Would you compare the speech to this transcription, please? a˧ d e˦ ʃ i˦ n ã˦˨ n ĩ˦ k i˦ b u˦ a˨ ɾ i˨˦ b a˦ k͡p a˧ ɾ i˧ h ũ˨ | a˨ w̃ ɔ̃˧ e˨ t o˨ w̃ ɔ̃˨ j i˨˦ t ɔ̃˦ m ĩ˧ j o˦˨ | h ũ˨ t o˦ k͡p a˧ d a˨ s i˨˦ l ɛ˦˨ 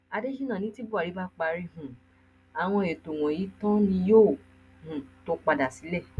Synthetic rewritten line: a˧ d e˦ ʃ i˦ n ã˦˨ n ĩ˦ t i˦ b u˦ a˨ ɾ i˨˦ b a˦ k͡p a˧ ɾ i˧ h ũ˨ | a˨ w̃ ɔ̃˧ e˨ t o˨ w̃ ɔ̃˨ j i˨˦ t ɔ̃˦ n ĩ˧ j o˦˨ | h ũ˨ t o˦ k͡p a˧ d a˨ s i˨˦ l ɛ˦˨

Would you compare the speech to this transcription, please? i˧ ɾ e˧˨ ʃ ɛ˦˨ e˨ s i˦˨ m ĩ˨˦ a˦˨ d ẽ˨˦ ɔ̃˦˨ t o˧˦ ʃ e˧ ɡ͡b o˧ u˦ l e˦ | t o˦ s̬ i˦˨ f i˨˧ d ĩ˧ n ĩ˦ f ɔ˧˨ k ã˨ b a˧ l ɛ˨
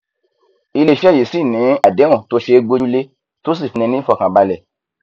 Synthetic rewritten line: i˧ l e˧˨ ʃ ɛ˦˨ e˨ s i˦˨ n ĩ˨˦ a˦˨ d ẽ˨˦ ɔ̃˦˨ t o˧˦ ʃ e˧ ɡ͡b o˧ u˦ l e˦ | t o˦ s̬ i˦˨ f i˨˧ n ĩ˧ n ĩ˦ f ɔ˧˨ k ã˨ b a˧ l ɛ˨

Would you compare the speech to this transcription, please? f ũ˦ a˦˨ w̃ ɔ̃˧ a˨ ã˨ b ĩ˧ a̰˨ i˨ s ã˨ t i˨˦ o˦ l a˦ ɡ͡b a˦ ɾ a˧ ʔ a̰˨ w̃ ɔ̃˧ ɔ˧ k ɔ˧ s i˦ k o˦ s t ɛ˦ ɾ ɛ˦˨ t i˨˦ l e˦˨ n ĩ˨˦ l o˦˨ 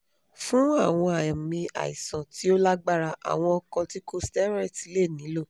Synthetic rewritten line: f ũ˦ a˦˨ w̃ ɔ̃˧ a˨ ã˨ m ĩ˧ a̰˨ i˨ s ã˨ t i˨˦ o˦ l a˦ ɡ͡b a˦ ɾ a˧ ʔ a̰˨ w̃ ɔ̃˧ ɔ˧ k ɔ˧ t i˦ k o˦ s t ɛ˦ ɾ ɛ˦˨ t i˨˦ l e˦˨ n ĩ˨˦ l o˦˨

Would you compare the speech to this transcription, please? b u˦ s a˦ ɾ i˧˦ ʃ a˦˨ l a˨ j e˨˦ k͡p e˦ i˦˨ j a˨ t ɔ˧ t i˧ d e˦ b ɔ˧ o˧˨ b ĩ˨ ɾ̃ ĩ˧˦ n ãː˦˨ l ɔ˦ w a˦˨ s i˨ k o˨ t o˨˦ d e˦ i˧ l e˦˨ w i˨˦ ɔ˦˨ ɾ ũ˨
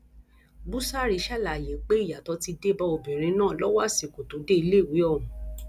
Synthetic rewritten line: b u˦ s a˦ ɾ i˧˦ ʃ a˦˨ l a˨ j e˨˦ k͡p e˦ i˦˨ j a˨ t ɔ˧ t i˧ d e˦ b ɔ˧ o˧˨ b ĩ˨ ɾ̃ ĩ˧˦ n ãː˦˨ l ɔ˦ w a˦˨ s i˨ k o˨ t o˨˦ d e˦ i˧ l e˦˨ w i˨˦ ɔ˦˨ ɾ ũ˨

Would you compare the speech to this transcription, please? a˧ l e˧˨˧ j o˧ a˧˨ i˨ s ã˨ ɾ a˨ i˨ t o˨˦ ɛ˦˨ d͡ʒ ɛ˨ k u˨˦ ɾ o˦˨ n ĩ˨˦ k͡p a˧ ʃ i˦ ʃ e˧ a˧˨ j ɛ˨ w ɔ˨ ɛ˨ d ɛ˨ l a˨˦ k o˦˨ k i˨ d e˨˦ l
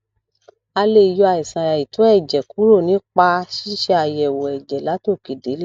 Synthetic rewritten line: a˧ l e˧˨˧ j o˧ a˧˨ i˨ s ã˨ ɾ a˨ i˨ t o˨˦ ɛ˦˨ d͡ʒ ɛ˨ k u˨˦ ɾ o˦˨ n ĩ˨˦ k͡p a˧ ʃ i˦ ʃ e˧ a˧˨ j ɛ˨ w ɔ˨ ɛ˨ d͡ʒ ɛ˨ l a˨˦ t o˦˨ k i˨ d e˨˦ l

